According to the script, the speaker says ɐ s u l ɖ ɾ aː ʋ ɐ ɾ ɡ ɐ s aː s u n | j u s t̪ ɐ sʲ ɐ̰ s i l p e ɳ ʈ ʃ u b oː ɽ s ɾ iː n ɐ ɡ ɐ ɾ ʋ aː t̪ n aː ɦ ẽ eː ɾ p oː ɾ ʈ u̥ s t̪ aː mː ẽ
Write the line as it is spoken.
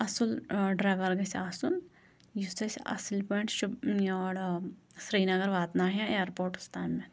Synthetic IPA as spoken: ɐ s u l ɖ ɾ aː ʋ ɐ ɾ ɡ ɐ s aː s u n | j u s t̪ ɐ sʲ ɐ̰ s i l p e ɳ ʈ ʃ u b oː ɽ s ɾ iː n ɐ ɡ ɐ ɾ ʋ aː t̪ n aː ɦ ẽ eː ɾ p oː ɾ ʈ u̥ s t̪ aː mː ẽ